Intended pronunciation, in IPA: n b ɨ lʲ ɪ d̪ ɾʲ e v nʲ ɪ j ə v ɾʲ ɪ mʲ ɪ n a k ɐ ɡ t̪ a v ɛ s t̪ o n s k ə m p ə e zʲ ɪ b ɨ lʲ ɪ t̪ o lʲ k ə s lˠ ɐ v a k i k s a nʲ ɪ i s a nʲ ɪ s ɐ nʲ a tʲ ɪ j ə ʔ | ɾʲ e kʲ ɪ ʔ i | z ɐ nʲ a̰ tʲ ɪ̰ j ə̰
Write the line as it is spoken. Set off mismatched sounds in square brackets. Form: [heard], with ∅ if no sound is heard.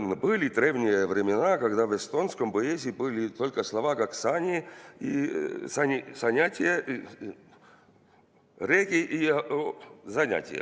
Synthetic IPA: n b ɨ lʲ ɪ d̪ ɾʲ e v nʲ ɪ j ə v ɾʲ ɪ mʲ ɪ n a k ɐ ɡ [d̪] a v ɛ s t̪ o n s k ə m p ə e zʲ ɪ b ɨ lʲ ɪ t̪ o lʲ k ə s lˠ ɐ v a k [a] k s a nʲ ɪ i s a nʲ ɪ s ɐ nʲ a tʲ ɪ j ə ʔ | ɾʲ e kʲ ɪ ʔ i | z ɐ nʲ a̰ tʲ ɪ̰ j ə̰